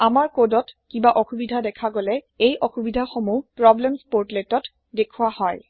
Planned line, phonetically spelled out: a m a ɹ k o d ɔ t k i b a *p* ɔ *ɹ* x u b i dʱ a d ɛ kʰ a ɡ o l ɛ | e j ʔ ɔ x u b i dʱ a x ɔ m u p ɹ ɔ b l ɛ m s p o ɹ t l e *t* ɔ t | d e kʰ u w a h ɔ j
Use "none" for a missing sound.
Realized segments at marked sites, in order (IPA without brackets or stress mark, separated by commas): ʔ, none, t